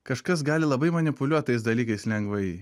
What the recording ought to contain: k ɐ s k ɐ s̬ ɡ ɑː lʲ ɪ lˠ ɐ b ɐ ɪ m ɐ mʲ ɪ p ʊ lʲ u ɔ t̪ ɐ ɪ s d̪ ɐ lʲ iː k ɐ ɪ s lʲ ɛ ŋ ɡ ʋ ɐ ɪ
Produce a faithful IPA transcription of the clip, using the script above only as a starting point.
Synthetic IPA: k ɐ ʃ k ɐ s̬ ɡ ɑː lʲ ɪ lˠ ɐ b ɐ ɪ m ɐ nʲ ɪ p ʊ lʲ u ɔ t̪ ɐ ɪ s d̪ ɐ lʲ iː k ɐ ɪ s lʲ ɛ ŋ ɡ ʋ ɐ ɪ